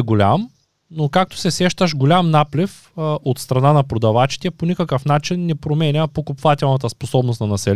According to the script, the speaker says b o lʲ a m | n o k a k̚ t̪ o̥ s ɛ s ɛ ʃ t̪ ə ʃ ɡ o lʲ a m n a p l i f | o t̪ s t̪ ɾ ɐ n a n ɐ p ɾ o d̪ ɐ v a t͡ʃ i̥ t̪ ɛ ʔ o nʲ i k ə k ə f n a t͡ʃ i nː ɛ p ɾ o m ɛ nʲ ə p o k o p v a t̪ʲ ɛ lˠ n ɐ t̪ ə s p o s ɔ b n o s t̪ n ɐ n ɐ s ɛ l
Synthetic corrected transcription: ɡ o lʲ a m | n o k a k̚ t̪ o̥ s ɛ s ɛ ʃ t̪ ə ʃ ɡ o lʲ a m n a p l i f | o t̪ s t̪ ɾ ɐ n a n ɐ p ɾ o d̪ ɐ v a t͡ʃ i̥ t̪ ɛ p o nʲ i k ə k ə f n a t͡ʃ i nː ɛ p ɾ o m ɛ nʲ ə p o k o p v a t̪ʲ ɛ lˠ n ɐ t̪ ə s p o s ɔ b n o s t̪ n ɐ n ɐ s ɛ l